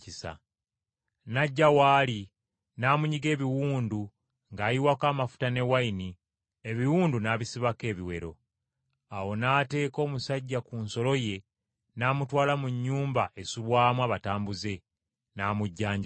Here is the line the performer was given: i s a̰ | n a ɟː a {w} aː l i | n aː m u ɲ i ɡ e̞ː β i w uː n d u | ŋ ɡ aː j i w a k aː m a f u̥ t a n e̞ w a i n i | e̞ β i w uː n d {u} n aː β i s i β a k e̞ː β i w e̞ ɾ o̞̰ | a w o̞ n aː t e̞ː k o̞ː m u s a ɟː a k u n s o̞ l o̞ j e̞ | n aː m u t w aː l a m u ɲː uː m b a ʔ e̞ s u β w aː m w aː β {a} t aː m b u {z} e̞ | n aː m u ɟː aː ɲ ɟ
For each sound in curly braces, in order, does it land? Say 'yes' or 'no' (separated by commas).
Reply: yes, yes, yes, yes